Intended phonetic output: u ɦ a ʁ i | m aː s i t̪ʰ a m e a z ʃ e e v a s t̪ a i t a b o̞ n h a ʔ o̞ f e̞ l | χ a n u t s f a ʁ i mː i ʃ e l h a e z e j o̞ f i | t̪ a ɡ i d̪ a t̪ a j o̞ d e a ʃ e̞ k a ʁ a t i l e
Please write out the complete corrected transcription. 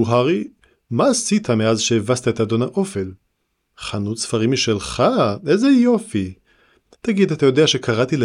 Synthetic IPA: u ɦ a ʁ i | m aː s i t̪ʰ a m e a z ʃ e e v a s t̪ a e t a d o̞ n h a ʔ o̞ f e̞ l | χ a n u t s f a ʁ i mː i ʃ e l χ a e z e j o̞ f i | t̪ a ɡ i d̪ a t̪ a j o̞ d e a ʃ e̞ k a ʁ a t i l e